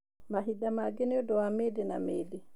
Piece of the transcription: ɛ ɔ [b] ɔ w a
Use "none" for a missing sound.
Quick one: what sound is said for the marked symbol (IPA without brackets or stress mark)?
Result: d